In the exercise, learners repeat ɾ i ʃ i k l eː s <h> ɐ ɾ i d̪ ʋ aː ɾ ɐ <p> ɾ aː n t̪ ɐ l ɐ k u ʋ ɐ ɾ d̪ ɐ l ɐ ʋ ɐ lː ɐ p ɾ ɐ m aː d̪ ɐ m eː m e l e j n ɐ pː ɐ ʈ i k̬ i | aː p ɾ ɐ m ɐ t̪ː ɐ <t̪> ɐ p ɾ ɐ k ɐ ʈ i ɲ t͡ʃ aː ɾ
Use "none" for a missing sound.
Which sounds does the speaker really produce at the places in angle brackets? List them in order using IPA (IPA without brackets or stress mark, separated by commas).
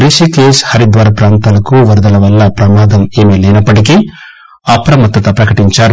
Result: h, p, t̪